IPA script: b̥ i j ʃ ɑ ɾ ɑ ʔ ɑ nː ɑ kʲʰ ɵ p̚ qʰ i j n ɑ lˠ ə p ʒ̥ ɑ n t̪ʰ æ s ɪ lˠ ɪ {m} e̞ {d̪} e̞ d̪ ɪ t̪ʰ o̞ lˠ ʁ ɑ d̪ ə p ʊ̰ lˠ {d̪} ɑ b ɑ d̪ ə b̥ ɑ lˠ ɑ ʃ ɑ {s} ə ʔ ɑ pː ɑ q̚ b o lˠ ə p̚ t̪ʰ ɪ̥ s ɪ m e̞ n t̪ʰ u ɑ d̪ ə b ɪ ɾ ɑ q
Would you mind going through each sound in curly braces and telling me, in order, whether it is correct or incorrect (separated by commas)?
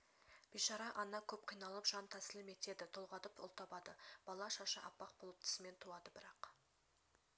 correct, incorrect, incorrect, incorrect